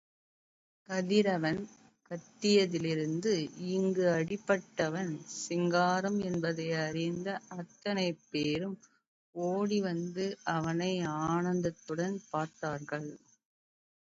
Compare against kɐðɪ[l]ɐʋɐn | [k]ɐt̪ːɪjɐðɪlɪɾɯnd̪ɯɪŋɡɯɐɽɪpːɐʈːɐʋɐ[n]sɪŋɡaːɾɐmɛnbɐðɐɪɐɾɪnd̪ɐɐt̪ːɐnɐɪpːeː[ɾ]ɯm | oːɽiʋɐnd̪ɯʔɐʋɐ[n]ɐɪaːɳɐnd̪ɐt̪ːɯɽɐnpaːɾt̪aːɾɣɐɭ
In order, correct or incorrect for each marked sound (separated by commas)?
incorrect, correct, correct, correct, correct